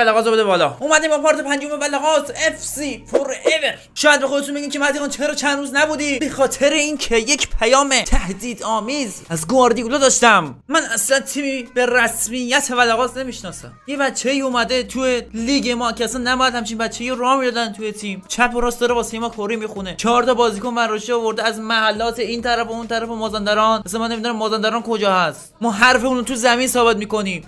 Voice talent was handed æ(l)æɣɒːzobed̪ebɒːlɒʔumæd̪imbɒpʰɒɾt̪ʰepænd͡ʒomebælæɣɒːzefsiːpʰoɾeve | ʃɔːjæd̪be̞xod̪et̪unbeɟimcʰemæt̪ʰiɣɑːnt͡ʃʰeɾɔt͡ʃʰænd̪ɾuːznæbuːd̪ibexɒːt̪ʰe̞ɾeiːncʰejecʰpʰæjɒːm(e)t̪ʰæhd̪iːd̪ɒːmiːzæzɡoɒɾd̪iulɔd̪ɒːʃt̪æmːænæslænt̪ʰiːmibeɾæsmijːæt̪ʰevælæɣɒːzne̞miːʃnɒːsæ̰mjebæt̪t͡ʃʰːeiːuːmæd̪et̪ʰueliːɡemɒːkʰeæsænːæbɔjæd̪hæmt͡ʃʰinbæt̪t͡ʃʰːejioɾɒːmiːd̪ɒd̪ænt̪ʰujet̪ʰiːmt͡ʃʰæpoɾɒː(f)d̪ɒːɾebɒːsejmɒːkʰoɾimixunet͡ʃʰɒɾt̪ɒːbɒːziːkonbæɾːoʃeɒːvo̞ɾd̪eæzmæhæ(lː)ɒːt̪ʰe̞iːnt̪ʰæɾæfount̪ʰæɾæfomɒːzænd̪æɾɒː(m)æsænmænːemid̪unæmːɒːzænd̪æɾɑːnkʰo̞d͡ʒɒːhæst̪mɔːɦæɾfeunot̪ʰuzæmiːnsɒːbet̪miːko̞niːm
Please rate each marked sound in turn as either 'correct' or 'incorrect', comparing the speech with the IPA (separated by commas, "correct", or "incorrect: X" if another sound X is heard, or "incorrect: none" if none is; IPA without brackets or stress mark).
correct, correct, incorrect: s, correct, incorrect: n